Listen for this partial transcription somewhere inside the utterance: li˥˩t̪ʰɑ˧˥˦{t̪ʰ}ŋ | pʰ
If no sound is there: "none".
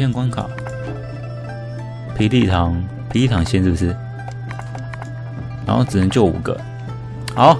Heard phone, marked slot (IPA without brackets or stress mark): none